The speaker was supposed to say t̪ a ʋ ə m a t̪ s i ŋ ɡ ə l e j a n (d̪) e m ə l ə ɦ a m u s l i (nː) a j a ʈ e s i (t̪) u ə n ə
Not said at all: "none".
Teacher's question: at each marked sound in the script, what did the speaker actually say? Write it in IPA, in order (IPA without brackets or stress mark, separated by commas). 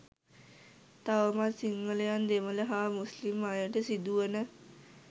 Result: d̪, mː, d̪